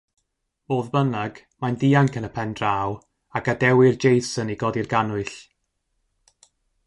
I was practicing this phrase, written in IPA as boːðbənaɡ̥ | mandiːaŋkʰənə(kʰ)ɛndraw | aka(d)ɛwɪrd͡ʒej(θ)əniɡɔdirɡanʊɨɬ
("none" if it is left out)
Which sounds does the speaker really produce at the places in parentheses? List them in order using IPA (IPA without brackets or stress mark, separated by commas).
pʰ, d, s